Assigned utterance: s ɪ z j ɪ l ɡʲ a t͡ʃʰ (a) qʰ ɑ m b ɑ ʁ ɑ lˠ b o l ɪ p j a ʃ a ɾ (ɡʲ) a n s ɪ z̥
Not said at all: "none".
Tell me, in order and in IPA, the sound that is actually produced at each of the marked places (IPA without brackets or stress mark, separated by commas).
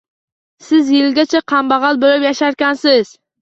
a, kʲ